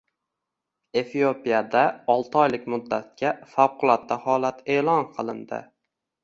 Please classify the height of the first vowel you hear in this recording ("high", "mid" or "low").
mid